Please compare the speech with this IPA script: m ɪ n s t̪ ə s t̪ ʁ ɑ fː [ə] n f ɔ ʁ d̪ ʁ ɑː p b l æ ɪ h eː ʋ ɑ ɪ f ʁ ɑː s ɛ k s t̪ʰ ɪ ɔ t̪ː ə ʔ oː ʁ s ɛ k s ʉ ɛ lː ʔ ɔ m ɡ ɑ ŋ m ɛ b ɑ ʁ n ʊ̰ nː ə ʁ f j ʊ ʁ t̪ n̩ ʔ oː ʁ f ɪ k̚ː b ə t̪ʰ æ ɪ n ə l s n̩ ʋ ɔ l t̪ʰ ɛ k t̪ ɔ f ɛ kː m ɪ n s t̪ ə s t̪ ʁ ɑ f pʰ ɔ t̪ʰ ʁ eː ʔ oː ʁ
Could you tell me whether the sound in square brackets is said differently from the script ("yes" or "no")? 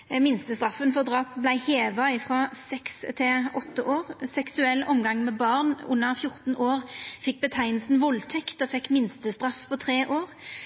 no